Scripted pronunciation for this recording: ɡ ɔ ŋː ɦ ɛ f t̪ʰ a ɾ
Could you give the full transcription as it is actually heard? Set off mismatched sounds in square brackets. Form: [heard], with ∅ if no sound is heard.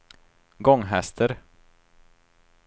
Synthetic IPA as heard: ɡ ɔ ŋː ɦ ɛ [s] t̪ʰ [ə] ɾ